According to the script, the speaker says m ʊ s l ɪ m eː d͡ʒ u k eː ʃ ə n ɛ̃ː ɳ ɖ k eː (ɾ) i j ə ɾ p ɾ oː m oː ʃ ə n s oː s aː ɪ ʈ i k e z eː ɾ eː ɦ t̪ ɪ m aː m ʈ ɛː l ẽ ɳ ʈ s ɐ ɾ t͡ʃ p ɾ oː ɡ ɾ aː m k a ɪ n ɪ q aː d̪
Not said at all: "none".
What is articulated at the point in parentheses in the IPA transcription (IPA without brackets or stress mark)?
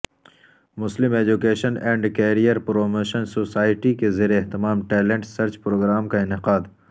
ɾ